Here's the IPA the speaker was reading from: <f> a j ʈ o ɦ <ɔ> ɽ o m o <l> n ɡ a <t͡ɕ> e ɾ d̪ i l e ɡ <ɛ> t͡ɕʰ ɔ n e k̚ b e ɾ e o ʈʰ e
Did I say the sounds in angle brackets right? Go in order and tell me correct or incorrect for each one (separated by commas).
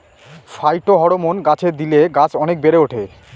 correct, correct, incorrect, incorrect, incorrect